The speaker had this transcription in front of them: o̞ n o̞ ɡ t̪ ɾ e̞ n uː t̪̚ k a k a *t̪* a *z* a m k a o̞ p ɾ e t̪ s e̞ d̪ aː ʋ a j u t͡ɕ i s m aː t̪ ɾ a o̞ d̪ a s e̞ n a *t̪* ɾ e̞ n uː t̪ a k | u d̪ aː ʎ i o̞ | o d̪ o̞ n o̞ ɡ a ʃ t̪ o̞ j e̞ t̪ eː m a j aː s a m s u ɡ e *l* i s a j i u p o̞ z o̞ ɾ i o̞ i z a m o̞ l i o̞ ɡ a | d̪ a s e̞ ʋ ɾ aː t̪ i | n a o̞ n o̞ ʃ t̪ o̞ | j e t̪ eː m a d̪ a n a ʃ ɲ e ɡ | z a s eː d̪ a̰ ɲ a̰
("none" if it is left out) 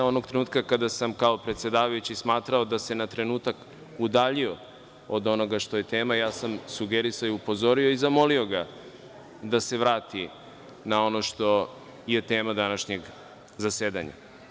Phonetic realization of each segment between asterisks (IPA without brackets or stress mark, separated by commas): d̪, s, t̪, ɾ